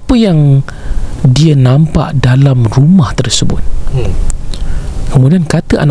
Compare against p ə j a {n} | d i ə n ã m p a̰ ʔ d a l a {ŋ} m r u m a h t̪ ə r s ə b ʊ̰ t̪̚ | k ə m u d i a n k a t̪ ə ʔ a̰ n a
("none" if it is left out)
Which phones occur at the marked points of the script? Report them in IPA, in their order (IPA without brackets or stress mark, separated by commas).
ŋ, none